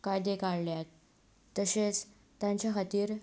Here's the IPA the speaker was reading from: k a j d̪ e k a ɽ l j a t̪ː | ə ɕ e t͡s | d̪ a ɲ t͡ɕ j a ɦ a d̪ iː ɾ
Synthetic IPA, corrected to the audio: k a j d̪ e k a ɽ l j a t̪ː | ə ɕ e t͡s | t̪ a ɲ t͡ɕ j a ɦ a t̪ iː ɾ